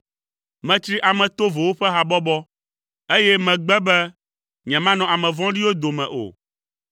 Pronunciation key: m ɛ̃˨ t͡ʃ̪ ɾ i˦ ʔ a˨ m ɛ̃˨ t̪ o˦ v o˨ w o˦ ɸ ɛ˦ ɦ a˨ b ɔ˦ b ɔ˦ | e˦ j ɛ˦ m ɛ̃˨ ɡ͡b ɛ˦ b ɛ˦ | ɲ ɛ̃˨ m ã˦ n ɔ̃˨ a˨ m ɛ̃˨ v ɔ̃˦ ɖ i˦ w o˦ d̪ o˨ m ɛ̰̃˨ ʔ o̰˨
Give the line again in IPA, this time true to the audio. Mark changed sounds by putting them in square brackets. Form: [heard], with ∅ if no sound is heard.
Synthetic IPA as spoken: m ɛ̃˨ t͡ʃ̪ ɾ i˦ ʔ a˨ m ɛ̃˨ t̪ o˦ v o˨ w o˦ ɸ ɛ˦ ɦ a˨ b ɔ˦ b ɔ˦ | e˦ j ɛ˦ m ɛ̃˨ ɡ͡b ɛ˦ b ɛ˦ | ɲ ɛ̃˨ m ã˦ n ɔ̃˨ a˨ m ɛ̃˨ v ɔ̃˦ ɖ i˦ w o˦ d̪ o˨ m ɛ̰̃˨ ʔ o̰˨